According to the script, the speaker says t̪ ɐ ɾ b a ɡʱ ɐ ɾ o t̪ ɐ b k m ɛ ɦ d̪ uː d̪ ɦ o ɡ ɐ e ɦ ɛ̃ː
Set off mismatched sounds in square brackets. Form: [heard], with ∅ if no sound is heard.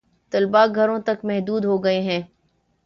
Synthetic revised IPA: t̪ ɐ [l] b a ɡʱ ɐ ɾ [õ] t̪ ɐ [∅] k m ɛ ɦ d̪ uː d̪ ɦ o ɡ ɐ e ɦ ɛ̃ː